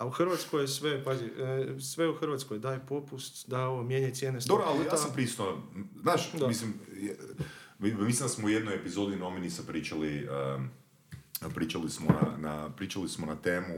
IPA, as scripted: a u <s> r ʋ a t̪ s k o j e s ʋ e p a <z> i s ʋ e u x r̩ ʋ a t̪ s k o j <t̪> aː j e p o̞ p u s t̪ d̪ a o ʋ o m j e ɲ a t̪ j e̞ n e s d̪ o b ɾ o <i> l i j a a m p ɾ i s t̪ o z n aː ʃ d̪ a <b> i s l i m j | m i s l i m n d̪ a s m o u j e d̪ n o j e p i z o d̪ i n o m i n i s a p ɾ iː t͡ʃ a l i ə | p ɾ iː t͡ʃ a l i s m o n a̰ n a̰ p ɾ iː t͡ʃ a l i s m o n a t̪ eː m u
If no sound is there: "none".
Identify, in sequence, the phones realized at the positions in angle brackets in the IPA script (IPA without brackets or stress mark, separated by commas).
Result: x, z, d̪, a, m